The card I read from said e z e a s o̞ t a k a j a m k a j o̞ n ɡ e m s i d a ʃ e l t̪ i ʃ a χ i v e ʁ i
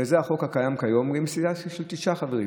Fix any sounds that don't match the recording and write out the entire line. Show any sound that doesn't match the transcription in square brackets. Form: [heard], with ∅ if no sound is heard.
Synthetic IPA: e z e a [χ] o̞ [k] a k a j a m k a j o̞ [m] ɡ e m s i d a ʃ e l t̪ i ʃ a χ [a] v e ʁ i